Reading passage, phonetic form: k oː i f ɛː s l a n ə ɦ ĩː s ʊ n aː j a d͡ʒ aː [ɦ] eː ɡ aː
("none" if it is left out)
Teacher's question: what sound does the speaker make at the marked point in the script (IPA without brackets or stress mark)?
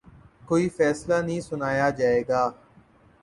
none